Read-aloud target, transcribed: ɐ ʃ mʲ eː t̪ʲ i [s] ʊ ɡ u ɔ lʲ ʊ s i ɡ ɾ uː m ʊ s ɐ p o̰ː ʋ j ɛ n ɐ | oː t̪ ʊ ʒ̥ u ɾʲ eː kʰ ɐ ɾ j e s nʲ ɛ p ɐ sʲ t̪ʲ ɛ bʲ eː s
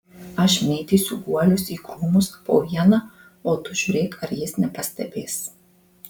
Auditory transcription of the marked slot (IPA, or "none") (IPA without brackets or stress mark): s